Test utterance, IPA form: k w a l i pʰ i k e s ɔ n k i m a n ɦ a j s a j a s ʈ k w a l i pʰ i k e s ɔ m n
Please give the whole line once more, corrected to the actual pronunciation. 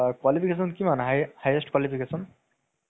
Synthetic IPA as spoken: k w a l i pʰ i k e s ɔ n k i m a n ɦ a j h a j e s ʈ k w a l i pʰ i k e s ɔ n